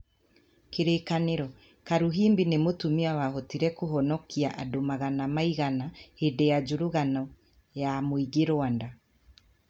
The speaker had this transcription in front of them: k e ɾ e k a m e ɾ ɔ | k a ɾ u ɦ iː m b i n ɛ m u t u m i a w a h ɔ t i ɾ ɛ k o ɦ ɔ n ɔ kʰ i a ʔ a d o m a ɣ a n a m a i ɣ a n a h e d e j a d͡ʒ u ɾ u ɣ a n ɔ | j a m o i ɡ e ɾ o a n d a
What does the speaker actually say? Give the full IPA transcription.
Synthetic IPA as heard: k e ɾ e k a n e ɾ ɔ | k a ɾ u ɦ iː m b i n e m o t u m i a w a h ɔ t i ɾ ɛ k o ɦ ɔ n ɔ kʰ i a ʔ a d o m a ɣ a n a m a i ɣ a n a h e d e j a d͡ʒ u ɾ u ɣ a n ɔ | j a m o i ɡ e ɾ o a n d a